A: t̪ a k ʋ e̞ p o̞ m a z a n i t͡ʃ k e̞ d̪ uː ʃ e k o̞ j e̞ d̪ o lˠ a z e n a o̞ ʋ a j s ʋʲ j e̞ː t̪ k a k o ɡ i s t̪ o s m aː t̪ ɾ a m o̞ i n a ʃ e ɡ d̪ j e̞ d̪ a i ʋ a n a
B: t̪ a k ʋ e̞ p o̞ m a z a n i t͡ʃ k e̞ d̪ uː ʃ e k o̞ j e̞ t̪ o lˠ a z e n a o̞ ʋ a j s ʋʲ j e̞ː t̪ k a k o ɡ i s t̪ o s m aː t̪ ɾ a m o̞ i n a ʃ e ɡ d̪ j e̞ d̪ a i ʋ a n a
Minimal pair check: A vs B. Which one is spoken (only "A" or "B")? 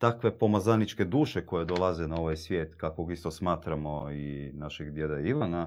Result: A